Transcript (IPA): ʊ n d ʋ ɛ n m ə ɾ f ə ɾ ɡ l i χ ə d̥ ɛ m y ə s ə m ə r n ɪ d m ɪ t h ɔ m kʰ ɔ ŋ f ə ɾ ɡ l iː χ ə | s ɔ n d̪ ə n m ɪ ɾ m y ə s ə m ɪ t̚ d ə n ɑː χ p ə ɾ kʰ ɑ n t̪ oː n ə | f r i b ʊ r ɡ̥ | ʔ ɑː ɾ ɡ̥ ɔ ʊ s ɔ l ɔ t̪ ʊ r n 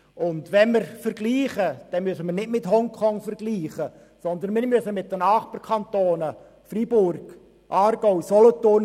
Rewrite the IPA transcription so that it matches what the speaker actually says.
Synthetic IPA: ʊ n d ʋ ɛ n m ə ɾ f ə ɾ ɡ l iː χ ə d̥ ɛ m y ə s ə m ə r n ɪ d m ɪ t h ɔ ŋ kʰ ɔ ŋ f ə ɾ ɡ l iː χ ə | s ɔ n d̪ ə n m ɪ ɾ m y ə s ə m ɪ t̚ d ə n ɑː χ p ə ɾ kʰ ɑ n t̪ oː n ə | f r i b ʊ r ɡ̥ | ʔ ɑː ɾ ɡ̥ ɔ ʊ s ɔ l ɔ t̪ ʊ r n